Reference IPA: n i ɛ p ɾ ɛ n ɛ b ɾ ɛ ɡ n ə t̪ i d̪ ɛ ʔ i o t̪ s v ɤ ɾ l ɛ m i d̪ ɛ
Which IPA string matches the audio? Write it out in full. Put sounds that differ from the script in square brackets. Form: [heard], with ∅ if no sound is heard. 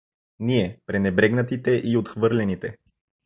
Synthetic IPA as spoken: n i ɛ p ɾ ɛ n ɛ b ɾ ɛ ɡ n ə t̪ i [t̪] ɛ ʔ i o t̪ [x] v ɤ ɾ l ɛ [n] i [t̪] ɛ

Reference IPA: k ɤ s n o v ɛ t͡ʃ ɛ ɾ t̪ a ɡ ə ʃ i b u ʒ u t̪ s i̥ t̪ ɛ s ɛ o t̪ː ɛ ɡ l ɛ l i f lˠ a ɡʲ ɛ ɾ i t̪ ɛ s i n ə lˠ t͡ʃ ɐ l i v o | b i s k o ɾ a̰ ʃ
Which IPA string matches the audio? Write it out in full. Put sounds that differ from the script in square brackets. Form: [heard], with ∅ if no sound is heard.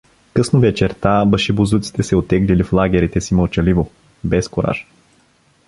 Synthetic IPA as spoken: k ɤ s n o v ɛ t͡ʃ ɛ ɾ t̪ a [b] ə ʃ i b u [z] u t̪ s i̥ t̪ ɛ s ɛ o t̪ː ɛ ɡ l [i] l i f lˠ a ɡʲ ɛ ɾ i t̪ ɛ s i [m] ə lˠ t͡ʃ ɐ l i v o | b [ɛ] s k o ɾ a̰ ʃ

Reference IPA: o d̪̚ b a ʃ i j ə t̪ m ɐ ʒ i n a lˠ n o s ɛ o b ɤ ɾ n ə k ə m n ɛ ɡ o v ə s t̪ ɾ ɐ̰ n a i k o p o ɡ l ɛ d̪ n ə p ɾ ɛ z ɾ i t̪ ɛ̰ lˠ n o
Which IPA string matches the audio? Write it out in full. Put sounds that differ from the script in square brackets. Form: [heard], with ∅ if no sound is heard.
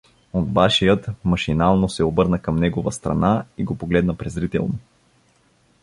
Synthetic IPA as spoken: o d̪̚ b a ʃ i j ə t̪ m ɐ [ʃ] i n a lˠ n o s ɛ o b ɤ ɾ n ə k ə m n ɛ ɡ o v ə s t̪ ɾ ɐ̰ n a i [ɡ] o p o ɡ l ɛ d̪ n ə p ɾ ɛ z ɾ i t̪ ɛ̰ lˠ n o

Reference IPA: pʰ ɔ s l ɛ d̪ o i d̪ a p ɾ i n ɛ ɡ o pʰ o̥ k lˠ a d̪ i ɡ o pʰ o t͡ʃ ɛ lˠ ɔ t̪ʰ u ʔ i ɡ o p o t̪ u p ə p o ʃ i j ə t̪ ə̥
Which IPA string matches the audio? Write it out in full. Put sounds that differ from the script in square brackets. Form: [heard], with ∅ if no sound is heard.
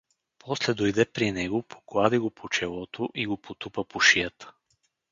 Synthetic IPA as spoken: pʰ ɔ s l ɛ d̪ o [j] d̪ [ɛ] p ɾ i n ɛ ɡ o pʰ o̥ k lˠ a d̪ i ɡ o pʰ o t͡ʃ ɛ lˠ ɔ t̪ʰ [o] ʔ i ɡ o p o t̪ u p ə p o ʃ i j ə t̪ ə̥

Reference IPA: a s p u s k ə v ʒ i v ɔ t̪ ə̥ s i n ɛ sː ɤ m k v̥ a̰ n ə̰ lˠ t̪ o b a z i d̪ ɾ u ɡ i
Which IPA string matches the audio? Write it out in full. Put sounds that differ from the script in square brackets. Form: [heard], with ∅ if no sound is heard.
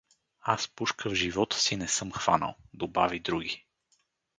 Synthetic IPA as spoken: a s p u [ʃ] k ə v ʒ i v ɔ t̪ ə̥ s i n ɛ [s] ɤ m [x] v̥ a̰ n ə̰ lˠ [d̪] o b a [v] i d̪ ɾ u ɡ i

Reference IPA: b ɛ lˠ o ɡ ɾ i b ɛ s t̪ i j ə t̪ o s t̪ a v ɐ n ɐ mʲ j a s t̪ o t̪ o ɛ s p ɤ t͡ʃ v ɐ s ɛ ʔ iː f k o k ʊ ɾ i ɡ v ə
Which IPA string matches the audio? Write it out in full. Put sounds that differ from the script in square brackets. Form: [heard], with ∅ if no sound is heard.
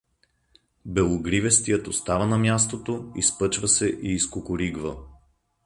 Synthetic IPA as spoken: b ɛ lˠ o ɡ ɾ i [v] ɛ s t̪ i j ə t̪ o s t̪ a v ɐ n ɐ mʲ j a s t̪ o t̪ o [i] s p ɤ t͡ʃ v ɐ s ɛ ʔ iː [s] k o k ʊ ɾ i ɡ v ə

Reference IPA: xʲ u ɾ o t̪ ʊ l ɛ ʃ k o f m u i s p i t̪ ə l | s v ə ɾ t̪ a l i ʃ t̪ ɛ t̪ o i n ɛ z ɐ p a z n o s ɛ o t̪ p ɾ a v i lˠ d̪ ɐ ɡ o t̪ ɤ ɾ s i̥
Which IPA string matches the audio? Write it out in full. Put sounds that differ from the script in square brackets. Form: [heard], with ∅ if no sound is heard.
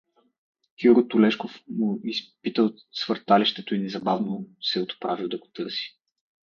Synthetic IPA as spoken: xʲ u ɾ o t̪ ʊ l ɛ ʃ k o f m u i s p i t̪ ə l | s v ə ɾ t̪ a l i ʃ t̪ ɛ t̪ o i n ɛ z ɐ [b] a [v] n o s ɛ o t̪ p ɾ a v i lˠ d̪ ɐ ɡ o t̪ ɤ ɾ s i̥

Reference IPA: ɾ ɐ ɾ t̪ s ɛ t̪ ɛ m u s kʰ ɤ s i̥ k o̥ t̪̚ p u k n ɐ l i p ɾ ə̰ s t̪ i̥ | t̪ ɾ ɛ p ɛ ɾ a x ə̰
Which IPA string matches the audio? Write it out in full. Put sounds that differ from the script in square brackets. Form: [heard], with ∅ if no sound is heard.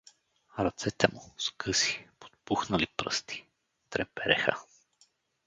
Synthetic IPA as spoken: ɾ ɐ [∅] t̪ s ɛ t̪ ɛ m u s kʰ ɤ s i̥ [p] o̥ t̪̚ p u [x] n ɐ l i p ɾ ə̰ s t̪ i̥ | t̪ ɾ ɛ p ɛ ɾ [ɛ] x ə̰

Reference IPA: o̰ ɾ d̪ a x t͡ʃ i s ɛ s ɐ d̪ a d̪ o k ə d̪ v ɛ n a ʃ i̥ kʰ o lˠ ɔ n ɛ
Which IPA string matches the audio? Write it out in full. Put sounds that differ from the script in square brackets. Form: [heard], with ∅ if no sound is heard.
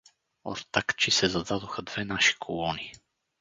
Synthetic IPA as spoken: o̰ ɾ [t̪] a [k] t͡ʃ i s ɛ [z] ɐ d̪ a d̪ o [x] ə d̪ v ɛ n a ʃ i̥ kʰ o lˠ ɔ n [i]

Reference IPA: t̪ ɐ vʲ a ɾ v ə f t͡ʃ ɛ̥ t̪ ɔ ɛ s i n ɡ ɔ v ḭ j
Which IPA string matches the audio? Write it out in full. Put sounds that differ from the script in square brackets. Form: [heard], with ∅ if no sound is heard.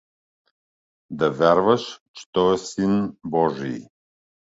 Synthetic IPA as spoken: [d̪] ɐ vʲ a ɾ v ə [ʃ] t͡ʃ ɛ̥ t̪ ɔ ɛ s i n [b] ɔ [ʒ] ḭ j

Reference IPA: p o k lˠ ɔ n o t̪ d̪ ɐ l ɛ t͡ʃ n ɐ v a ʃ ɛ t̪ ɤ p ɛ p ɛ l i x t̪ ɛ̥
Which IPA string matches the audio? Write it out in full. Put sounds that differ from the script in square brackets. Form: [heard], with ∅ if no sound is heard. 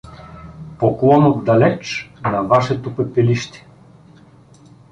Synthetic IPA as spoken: p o k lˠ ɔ n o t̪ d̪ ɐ l ɛ t͡ʃ n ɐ v a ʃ ɛ t̪ [o] p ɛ p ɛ l i [ʃ] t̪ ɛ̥

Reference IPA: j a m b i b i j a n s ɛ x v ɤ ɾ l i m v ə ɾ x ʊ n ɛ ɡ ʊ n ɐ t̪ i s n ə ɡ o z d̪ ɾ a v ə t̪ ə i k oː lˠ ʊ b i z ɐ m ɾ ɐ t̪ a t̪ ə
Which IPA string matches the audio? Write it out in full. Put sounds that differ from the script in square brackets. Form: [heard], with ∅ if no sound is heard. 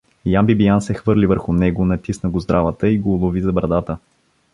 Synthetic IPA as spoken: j a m b i b i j a n s ɛ x v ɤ ɾ l i [∅] v ə ɾ x ʊ n ɛ ɡ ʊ n ɐ t̪ i s n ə ɡ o z d̪ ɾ a v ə t̪ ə i [ɡ] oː lˠ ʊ [v] i z ɐ [b] ɾ ɐ [d̪] a t̪ ə

